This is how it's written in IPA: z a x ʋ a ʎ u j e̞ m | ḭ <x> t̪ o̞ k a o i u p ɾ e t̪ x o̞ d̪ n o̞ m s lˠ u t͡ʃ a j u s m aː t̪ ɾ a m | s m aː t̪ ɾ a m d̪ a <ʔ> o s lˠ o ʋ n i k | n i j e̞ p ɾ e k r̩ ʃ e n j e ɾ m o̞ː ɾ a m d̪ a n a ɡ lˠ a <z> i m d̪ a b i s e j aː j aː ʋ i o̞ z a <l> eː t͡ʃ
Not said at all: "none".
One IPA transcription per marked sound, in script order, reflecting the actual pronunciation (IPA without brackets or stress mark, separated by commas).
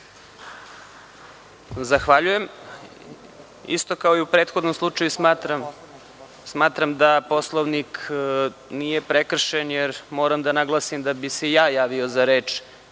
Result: s, p, s, ɾ